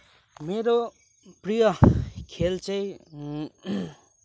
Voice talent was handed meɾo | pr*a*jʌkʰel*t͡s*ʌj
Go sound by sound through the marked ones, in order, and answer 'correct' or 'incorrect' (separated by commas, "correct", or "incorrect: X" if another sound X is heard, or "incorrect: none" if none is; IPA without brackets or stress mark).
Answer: incorrect: i, correct